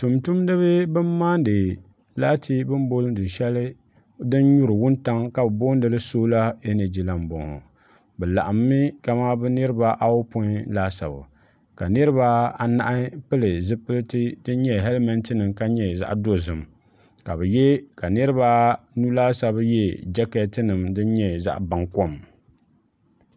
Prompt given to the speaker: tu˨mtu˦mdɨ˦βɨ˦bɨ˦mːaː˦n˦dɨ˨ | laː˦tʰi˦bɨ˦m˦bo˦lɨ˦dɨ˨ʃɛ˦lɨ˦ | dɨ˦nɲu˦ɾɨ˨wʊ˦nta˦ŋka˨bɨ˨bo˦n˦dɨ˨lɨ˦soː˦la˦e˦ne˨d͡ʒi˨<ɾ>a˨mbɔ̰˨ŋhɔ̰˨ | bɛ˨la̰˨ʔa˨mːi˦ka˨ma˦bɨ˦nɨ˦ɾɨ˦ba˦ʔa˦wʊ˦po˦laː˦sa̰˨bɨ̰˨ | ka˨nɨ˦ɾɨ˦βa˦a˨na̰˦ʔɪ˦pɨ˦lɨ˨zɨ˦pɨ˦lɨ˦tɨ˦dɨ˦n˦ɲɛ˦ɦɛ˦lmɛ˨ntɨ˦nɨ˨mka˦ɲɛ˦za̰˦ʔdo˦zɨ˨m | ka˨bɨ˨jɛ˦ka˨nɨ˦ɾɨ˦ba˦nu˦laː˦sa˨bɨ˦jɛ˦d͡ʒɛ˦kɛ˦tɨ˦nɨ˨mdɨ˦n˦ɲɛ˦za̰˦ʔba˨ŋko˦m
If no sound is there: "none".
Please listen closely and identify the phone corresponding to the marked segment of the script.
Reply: l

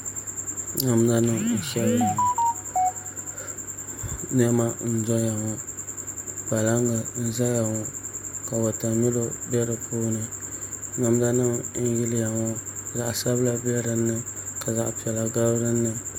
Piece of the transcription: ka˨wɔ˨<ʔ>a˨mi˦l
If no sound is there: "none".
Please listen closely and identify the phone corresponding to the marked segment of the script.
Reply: t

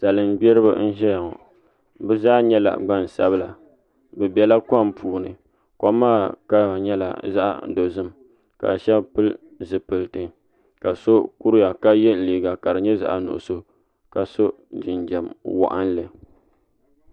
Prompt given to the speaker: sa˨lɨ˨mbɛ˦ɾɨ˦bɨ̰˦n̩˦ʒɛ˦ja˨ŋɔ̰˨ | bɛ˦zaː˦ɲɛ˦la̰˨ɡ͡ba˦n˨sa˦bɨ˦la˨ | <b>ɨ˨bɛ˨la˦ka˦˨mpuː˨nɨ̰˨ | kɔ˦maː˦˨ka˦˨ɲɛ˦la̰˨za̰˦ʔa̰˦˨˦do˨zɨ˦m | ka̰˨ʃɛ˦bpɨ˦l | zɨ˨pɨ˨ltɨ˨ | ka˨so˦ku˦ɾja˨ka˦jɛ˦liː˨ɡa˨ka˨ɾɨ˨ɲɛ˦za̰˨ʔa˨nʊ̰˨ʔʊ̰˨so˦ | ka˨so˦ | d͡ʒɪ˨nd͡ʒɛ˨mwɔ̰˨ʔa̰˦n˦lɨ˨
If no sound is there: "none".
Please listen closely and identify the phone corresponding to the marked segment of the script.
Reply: b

